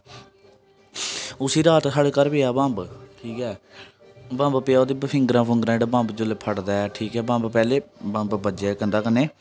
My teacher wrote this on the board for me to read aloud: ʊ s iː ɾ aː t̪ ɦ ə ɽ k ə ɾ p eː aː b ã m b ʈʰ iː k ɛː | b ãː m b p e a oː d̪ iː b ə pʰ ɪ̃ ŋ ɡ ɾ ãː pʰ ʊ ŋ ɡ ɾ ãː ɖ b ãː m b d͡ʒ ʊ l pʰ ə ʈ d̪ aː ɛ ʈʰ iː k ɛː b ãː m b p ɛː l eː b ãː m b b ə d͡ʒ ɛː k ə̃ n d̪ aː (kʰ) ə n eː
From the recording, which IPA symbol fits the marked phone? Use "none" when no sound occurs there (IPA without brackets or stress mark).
k